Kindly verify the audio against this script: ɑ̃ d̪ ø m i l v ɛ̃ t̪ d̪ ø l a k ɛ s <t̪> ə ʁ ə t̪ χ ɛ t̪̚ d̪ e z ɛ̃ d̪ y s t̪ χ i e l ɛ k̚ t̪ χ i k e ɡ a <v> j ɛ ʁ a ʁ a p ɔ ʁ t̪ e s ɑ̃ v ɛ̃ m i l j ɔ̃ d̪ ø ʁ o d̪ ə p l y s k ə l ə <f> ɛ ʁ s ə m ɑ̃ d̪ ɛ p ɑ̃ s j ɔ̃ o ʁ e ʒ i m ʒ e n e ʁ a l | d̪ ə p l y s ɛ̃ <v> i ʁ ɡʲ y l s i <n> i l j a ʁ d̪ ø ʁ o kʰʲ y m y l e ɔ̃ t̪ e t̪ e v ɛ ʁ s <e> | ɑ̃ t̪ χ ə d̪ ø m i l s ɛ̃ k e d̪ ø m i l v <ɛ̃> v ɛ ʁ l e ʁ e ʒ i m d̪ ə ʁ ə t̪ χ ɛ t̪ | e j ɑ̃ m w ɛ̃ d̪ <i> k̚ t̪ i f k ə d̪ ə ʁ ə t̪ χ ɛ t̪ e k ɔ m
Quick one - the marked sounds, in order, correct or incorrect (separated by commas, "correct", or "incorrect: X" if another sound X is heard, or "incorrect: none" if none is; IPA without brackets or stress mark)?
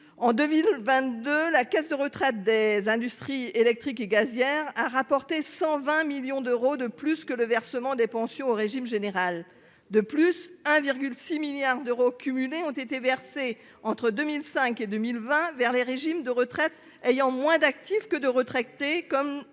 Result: incorrect: d̪, incorrect: z, incorrect: v, correct, incorrect: m, correct, correct, incorrect: a